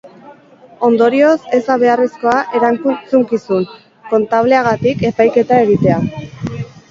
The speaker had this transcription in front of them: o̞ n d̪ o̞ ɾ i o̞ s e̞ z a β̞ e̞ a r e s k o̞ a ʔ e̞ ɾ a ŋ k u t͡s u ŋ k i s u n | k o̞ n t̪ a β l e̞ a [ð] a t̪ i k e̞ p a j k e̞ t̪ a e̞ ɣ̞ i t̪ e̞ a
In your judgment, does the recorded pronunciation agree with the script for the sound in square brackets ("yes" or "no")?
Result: no